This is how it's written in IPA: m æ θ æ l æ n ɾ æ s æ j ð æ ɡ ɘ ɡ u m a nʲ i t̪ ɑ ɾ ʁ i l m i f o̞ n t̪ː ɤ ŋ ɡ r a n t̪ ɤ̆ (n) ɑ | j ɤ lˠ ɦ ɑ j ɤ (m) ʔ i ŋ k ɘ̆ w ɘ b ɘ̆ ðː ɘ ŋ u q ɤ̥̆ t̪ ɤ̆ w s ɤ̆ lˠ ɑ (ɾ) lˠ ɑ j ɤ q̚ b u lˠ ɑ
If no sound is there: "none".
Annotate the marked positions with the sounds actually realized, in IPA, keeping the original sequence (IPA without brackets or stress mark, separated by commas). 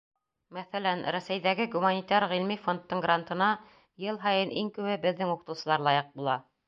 n, n, ɾ